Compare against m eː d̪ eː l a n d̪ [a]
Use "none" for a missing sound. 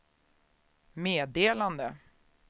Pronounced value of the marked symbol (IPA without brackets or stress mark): ə